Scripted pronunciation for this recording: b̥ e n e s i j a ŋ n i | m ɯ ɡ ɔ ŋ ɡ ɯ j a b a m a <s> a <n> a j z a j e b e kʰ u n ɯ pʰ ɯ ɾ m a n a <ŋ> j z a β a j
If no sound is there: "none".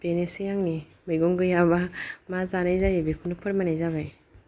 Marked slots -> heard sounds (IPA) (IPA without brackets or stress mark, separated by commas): z, n, none